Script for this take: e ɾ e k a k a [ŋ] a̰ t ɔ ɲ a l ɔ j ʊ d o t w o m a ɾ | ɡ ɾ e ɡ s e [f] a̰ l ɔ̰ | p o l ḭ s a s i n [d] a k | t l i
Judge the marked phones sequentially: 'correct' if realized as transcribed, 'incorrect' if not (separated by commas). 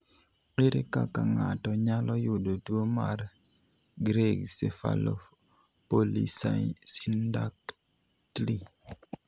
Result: correct, correct, correct